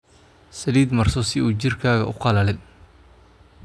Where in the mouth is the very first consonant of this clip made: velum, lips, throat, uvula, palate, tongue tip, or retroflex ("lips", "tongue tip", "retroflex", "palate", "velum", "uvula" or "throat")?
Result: tongue tip